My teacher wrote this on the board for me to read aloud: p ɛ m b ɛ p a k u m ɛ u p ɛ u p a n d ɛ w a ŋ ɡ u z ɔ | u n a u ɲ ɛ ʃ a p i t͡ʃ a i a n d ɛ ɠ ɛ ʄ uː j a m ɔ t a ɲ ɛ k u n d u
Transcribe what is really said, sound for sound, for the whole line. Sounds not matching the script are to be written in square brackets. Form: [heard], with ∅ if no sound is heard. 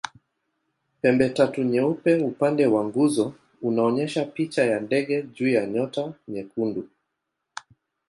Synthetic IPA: p ɛ m b ɛ [t] a [t] u [ɲ] ɛ u p ɛ u p a n d ɛ w a ŋ ɡ u z ɔ | u n a [ɔ] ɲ ɛ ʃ a p i t͡ʃ a [j] a n d ɛ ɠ ɛ ʄ uː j a [ɲ] ɔ t a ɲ ɛ k u n d u